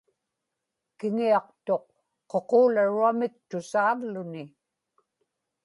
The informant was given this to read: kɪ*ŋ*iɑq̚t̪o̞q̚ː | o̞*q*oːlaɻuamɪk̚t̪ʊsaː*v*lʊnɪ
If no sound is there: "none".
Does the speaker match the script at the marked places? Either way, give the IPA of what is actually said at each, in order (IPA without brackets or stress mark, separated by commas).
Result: ŋ, q, v